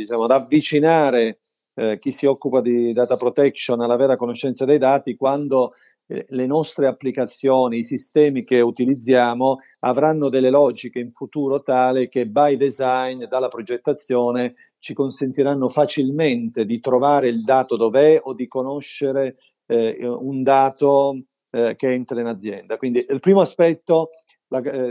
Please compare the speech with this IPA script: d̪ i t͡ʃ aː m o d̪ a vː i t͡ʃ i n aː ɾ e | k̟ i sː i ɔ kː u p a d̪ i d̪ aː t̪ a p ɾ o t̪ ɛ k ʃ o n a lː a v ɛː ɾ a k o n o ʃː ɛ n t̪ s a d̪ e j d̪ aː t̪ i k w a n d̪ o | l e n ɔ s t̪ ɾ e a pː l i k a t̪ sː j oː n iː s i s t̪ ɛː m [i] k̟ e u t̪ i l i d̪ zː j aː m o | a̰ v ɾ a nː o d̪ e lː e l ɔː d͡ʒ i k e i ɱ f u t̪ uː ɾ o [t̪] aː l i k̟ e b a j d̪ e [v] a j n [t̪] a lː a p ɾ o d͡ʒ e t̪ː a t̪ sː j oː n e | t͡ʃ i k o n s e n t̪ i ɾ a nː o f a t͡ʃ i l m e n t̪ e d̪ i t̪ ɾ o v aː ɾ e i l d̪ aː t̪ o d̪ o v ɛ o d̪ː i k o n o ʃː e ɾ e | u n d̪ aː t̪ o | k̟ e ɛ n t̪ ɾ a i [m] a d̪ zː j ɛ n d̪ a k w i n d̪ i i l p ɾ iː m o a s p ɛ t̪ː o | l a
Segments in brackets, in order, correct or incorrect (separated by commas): correct, correct, incorrect, incorrect, incorrect